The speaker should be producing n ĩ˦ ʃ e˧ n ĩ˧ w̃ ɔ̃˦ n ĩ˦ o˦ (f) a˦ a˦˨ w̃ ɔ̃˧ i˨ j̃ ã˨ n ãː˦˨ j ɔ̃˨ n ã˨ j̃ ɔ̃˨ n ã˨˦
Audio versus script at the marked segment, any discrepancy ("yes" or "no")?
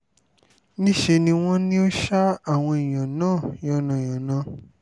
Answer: yes